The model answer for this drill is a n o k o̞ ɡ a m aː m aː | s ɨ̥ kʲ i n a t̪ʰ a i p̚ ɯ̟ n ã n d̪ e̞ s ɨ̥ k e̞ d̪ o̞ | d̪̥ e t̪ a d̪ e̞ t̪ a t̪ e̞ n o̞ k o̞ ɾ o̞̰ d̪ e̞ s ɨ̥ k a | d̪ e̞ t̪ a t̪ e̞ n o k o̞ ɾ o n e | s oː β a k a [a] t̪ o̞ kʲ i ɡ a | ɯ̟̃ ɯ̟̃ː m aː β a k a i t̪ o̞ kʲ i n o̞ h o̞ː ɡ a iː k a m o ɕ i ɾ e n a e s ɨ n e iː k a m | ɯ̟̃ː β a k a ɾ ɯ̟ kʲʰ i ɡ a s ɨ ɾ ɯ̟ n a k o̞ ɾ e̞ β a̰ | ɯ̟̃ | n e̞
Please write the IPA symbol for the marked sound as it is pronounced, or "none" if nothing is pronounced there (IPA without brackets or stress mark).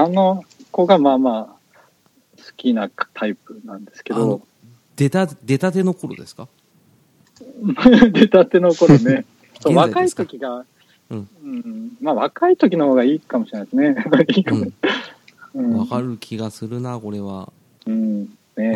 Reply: i